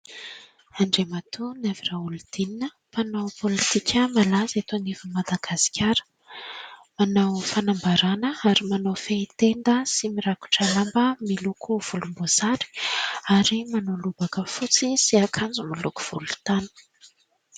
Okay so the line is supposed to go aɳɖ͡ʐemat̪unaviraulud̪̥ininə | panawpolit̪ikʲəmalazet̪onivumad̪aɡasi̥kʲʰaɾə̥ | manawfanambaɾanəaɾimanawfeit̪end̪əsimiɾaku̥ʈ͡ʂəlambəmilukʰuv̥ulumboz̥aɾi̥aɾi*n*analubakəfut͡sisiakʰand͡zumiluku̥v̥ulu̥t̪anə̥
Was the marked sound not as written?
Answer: yes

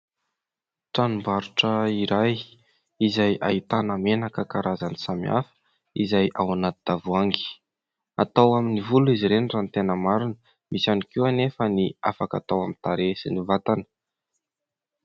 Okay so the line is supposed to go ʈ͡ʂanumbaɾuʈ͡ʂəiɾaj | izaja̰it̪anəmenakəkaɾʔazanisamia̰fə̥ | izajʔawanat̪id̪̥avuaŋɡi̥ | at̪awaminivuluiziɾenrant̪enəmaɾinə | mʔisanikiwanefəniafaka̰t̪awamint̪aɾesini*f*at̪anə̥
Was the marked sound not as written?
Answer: yes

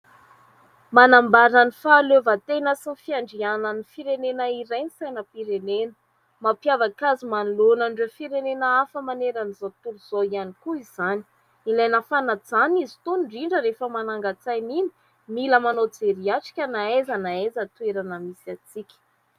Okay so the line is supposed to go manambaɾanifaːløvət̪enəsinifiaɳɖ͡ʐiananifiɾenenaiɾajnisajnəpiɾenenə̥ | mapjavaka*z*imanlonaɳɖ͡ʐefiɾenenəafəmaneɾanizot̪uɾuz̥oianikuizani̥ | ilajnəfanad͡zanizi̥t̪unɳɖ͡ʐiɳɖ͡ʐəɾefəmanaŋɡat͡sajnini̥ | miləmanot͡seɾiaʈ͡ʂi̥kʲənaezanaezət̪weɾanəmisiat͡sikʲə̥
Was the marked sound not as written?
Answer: no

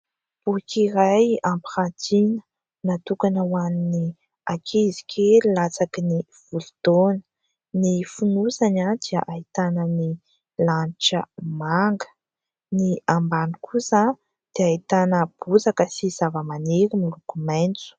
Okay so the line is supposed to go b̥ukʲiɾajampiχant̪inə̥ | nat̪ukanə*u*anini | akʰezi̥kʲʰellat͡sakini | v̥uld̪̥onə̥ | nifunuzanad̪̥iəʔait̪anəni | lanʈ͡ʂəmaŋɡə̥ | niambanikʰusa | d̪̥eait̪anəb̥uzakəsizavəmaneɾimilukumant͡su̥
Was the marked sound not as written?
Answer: yes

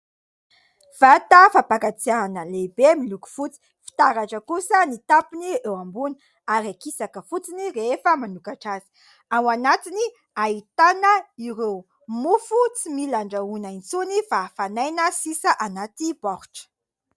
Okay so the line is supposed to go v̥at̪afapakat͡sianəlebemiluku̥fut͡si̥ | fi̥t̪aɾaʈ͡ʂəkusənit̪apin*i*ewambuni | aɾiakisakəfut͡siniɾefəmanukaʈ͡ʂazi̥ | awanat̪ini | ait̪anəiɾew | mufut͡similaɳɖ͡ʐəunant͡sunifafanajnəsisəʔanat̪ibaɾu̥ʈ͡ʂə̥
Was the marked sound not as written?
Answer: no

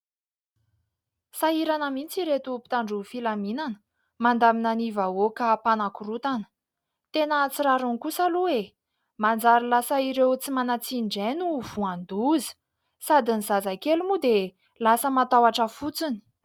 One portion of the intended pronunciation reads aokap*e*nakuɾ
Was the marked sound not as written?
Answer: yes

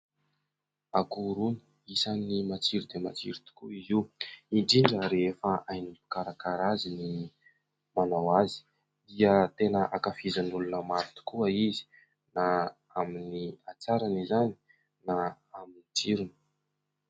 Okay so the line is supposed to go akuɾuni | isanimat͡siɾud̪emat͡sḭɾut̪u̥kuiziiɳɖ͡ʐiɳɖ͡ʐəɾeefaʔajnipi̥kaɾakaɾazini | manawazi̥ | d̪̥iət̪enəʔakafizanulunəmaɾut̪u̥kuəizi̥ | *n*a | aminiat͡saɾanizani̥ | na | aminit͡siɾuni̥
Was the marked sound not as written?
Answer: no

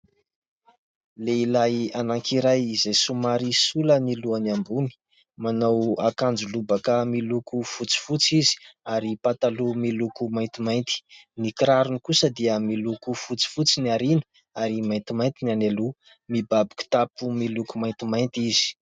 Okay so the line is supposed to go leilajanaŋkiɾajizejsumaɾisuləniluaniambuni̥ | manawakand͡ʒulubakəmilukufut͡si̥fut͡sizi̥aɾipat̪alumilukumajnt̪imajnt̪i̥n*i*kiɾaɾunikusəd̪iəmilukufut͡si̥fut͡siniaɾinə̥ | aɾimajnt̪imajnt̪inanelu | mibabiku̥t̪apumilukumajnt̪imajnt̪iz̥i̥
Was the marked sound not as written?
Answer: no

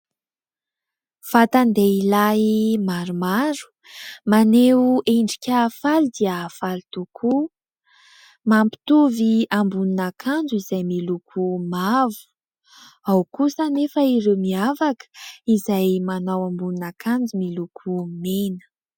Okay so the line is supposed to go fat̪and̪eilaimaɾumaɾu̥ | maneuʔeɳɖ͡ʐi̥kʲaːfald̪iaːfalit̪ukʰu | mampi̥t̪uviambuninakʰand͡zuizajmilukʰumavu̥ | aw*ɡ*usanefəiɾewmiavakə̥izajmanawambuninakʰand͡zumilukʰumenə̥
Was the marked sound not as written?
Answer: yes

